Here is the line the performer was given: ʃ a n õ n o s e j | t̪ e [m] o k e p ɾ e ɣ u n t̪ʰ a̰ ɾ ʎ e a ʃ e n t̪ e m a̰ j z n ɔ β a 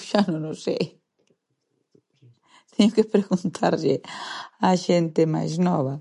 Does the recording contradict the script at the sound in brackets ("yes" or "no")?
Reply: yes